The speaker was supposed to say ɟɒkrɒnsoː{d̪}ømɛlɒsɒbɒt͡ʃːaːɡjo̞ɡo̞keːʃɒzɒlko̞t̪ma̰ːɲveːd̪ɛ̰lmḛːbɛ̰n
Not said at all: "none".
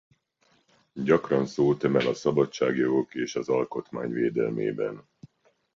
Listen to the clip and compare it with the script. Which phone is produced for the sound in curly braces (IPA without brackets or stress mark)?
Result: t̪